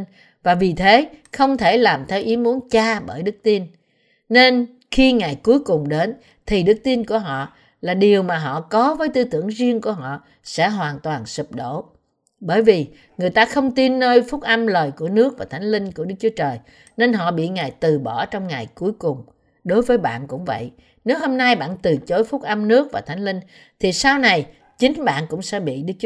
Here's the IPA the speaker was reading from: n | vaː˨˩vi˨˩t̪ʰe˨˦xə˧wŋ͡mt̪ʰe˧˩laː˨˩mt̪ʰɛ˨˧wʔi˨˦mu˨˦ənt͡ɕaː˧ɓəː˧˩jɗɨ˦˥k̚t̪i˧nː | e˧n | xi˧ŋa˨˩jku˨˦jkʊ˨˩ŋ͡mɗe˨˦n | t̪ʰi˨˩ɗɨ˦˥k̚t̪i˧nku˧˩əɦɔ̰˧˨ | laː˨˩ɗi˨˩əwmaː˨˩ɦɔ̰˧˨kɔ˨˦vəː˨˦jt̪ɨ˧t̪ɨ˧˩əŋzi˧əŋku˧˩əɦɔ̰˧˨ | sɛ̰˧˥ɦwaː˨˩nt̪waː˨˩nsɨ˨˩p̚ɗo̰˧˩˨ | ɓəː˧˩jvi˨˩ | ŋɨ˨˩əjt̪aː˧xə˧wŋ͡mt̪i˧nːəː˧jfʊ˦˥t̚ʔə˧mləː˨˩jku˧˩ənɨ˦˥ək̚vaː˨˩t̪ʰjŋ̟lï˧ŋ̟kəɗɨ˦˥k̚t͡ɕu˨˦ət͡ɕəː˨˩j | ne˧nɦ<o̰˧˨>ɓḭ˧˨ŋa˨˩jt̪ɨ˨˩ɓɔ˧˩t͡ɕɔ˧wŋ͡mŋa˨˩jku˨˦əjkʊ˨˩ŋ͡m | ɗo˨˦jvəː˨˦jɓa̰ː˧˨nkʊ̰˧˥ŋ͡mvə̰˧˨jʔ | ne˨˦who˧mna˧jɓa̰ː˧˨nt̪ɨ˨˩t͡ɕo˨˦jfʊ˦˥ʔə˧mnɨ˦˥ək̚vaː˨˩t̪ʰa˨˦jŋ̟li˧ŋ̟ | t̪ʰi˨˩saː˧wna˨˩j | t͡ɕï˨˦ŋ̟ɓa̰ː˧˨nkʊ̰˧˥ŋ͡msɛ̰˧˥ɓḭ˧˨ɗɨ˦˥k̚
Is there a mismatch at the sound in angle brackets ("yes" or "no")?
yes